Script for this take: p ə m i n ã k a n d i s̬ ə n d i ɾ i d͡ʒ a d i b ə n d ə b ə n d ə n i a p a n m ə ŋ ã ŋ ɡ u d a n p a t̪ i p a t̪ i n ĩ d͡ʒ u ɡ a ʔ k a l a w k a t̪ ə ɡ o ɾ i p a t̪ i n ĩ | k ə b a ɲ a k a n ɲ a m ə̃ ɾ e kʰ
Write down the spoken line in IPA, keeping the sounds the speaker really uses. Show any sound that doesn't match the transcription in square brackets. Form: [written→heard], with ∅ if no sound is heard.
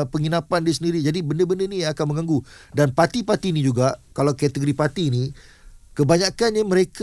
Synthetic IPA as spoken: p ə [m→ŋ] i n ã [k→p] a n d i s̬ ə n d i ɾ i d͡ʒ a d i b ə n d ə b ə n d ə n i a [p→k] a n m ə ŋ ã ŋ ɡ u d a n p a t̪ i p a t̪ i n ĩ d͡ʒ u ɡ a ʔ k a l a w k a t̪ ə ɡ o ɾ i p a t̪ i n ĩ | k ə b a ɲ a k a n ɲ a m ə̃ ɾ e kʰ